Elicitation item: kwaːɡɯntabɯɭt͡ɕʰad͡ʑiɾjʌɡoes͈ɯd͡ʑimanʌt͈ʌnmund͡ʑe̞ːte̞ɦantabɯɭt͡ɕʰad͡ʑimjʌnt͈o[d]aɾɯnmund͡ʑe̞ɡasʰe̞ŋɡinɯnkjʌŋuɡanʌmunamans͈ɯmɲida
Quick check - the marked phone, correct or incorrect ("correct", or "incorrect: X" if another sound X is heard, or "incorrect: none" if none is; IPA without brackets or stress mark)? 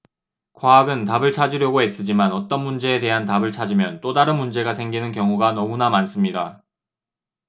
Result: correct